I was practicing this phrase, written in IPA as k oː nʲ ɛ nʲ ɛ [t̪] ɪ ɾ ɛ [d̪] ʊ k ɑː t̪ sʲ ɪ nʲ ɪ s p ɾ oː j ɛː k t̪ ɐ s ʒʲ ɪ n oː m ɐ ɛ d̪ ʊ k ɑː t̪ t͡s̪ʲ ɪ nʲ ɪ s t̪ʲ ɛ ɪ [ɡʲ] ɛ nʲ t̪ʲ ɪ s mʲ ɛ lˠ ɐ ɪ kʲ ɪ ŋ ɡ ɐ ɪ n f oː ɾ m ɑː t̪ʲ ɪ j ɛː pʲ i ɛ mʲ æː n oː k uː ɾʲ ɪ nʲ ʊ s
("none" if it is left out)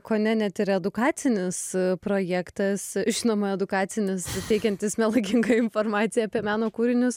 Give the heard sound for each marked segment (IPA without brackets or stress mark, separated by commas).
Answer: t̪, d̪, kʲ